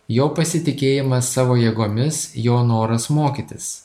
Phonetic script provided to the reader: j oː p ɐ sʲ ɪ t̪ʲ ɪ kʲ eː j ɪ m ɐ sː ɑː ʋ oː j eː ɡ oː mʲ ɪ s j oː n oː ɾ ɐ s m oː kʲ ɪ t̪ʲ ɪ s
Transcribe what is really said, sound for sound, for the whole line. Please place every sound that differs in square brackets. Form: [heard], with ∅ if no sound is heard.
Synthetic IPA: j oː p ɐ sʲ ɪ t̪ʲ ɪ kʲ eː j ɪ m ɐ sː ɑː ʋ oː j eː ɡ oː mʲ ɪ s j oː n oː ɾ ɐ s m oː kʲ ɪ t̪ʲ ɪ s